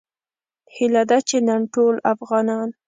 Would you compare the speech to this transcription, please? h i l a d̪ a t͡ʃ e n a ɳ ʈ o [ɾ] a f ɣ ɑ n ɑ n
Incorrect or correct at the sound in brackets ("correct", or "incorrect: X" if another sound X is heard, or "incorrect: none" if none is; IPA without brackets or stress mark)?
incorrect: l